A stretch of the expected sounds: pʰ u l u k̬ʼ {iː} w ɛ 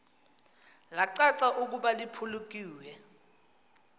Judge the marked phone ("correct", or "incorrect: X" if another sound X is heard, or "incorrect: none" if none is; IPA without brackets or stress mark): correct